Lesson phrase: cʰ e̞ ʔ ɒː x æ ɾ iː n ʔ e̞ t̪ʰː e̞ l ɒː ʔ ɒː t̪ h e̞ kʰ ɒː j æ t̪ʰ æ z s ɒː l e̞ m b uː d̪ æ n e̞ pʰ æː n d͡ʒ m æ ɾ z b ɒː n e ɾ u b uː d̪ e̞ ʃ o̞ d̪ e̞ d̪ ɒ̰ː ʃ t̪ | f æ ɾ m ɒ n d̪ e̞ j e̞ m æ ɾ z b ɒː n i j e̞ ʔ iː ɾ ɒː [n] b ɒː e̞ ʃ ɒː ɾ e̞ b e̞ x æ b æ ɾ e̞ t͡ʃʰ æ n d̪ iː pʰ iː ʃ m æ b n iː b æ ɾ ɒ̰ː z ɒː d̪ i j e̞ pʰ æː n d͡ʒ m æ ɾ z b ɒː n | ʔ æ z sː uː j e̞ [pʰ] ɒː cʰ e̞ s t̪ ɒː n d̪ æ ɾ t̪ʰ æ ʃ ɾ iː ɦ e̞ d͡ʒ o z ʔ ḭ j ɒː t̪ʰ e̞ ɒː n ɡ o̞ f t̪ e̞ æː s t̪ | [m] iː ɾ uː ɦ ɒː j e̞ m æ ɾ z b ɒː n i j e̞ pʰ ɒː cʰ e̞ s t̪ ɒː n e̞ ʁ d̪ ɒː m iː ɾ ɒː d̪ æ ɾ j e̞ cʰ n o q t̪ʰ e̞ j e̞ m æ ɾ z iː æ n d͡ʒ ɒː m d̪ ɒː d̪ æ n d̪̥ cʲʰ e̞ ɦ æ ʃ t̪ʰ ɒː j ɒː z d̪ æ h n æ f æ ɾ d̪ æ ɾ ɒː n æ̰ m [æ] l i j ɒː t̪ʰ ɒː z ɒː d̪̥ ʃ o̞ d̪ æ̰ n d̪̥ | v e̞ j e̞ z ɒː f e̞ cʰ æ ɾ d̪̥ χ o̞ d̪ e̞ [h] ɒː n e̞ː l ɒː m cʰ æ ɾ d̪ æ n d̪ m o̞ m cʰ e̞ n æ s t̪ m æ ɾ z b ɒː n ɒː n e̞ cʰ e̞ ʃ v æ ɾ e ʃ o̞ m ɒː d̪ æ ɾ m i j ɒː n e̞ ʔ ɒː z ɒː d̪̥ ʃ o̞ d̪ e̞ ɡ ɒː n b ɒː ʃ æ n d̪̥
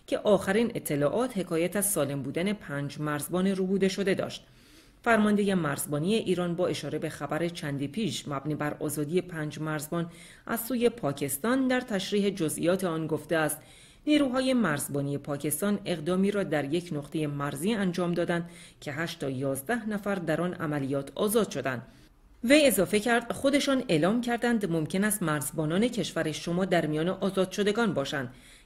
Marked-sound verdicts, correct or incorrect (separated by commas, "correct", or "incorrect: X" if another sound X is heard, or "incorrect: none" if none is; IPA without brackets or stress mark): correct, correct, incorrect: n, correct, incorrect: ʃ